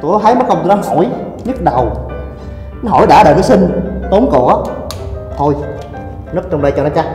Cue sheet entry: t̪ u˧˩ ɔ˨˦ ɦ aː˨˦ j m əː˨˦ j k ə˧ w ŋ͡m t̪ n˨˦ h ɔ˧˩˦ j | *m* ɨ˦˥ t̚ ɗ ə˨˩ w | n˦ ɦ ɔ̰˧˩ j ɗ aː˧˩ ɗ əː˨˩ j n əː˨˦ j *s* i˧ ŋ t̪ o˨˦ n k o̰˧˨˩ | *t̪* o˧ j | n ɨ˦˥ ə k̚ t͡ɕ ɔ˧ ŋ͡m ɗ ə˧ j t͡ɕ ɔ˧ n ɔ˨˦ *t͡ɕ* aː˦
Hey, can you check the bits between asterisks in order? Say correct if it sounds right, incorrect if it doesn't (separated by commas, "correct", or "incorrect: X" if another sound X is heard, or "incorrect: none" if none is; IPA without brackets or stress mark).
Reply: incorrect: ɲ, correct, incorrect: t̪ʰ, correct